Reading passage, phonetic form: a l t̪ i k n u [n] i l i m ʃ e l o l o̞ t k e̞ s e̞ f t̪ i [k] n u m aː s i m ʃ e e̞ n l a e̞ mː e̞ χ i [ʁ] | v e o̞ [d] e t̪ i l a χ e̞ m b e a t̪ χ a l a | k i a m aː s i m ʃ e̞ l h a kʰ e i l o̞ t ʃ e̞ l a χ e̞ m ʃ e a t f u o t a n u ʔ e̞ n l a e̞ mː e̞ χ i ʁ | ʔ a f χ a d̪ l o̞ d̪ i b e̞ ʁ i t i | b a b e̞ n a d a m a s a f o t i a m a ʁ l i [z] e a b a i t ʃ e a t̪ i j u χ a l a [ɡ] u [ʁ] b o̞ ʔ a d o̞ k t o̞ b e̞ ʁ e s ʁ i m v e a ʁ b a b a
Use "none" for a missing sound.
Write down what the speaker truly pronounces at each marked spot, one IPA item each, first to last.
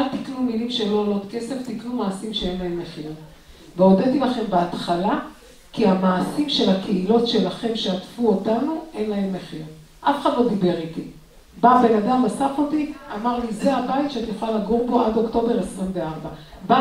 m, k, ʁ, d, z, ɡ, ʁ

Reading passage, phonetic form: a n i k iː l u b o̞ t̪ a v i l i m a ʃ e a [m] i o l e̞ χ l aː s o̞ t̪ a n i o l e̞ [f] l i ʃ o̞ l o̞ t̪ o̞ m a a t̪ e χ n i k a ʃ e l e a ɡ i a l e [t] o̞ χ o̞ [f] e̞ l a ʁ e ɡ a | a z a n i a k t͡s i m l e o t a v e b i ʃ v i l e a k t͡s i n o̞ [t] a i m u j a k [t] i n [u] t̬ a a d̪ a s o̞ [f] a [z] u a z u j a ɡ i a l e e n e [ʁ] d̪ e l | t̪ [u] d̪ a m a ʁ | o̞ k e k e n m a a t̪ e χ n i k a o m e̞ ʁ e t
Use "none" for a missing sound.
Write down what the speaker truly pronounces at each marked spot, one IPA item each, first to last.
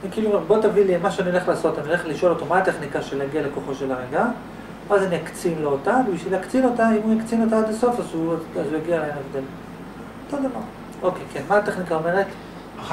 n, χ, k, ʃ, t, t͡s, o, f, z, v, o

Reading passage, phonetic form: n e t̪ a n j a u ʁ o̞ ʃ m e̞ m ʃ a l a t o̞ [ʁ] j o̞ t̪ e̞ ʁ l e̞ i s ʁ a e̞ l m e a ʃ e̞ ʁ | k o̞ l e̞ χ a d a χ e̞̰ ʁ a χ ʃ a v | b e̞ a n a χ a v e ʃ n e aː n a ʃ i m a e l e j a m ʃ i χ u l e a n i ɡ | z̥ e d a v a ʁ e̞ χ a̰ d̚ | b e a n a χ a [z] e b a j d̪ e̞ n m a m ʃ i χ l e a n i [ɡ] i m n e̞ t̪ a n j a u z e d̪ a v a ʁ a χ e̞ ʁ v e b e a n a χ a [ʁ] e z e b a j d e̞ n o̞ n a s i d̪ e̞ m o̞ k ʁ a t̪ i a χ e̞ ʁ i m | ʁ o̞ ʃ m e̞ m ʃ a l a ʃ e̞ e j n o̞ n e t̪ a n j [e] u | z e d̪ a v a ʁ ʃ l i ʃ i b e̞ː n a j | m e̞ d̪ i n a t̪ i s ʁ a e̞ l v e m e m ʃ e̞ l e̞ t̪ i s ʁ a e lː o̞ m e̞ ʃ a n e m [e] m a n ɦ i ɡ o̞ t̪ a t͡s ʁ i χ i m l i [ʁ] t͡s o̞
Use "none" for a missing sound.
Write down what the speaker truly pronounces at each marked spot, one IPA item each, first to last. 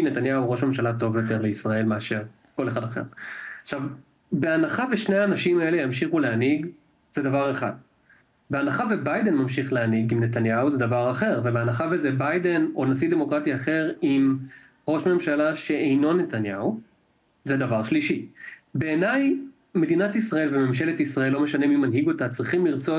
v, v, ɡ, v, a, i, ʁ

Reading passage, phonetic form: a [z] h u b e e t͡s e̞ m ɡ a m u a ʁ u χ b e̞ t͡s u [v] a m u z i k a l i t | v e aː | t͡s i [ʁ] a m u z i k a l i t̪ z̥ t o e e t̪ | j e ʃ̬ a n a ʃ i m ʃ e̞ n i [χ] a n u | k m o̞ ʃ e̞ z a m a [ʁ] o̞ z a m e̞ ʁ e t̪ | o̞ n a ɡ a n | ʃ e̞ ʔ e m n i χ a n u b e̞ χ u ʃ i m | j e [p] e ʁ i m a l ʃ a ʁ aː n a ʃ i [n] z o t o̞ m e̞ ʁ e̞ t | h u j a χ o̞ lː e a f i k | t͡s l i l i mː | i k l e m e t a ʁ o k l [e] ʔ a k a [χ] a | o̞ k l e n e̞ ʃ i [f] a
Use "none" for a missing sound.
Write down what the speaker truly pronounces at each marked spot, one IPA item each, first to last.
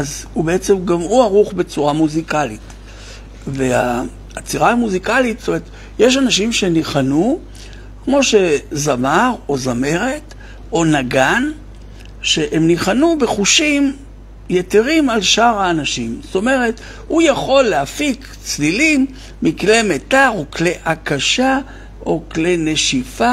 z, ʁ, ʁ, χ, ʁ, t, m, e, ʃ, f

